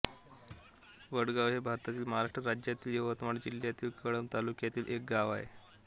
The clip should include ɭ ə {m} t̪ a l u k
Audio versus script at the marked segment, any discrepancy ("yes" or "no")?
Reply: no